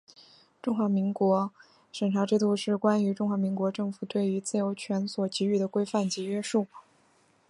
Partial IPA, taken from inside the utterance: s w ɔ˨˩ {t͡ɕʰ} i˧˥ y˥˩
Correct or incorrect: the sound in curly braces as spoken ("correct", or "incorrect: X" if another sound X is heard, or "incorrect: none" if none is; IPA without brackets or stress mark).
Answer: incorrect: t͡ɕ